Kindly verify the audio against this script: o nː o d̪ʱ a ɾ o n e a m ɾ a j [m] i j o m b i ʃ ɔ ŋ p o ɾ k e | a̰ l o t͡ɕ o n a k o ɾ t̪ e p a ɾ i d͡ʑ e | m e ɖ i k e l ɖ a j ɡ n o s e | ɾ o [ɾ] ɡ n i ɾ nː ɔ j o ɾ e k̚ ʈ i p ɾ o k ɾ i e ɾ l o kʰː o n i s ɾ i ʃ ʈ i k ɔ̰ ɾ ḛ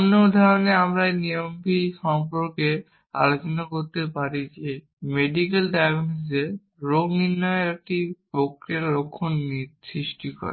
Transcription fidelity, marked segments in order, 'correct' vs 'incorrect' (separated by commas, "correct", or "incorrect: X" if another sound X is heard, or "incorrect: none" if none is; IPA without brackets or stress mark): incorrect: n, incorrect: none